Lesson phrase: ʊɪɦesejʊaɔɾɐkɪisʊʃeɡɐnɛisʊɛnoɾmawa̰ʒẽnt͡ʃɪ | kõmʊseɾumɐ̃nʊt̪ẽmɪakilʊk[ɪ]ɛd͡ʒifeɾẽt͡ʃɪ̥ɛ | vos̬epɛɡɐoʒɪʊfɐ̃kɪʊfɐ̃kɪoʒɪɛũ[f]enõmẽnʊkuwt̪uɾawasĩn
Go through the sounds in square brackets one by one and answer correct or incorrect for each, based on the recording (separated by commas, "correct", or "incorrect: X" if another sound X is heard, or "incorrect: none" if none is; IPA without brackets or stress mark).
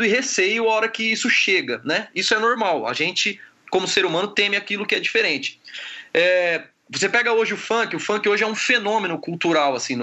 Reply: correct, correct